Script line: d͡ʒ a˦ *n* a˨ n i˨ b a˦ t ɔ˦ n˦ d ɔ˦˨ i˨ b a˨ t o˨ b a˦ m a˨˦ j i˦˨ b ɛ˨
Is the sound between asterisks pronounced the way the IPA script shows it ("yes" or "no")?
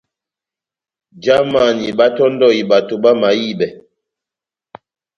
no